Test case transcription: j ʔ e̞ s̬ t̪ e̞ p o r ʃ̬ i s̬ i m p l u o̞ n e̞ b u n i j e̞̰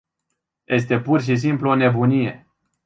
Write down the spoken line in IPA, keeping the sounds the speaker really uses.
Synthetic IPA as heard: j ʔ e̞ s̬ t̪ e̞ p u r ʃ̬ i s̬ i m p l u o̞ n e̞ b u n i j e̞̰